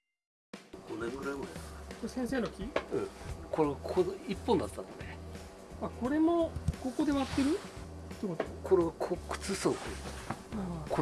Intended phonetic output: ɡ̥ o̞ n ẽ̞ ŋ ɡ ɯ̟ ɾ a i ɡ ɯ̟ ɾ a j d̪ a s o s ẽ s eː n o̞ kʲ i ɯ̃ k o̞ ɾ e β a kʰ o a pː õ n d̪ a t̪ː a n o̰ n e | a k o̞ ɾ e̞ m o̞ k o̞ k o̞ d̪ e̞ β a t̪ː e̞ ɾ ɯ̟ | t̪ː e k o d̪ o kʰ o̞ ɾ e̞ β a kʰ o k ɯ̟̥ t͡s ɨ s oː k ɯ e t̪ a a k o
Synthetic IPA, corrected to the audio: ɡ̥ o̞ n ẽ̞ ŋ ɡ ɯ̟ ɾ a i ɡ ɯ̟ ɾ a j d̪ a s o s ẽ s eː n o̞ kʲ i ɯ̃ k o̞ ɾ e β a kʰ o i pː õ n d̪ a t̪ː a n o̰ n e | a k o̞ ɾ e̞ m o̞ k o̞ k o̞ d̪ e̞ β a t̪ː e̞ ɾ ɯ̟ | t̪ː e k o t̪ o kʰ o̞ ɾ e̞ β a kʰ o k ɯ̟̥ t͡s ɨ s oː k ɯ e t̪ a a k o